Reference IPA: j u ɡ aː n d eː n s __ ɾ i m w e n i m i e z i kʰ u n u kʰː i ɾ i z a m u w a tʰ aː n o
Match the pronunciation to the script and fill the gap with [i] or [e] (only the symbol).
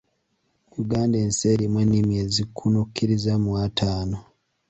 e